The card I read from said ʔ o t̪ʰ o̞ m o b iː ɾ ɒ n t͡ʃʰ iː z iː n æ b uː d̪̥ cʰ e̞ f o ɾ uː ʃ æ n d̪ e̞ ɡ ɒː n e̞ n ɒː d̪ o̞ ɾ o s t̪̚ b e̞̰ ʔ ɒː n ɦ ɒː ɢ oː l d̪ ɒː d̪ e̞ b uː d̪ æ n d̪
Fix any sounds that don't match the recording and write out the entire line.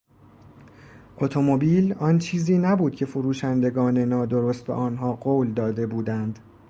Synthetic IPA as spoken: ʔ o t̪ʰ o̞ m o b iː l ɒ n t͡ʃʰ iː z iː n æ b uː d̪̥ cʰ e̞ f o ɾ uː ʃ æ n d̪ e̞ ɡ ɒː n e̞ n ɒː d̪ o̞ ɾ o s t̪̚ b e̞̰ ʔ ɒː n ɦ ɒː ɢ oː l d̪ ɒː d̪ e̞ b uː d̪ æ n d̪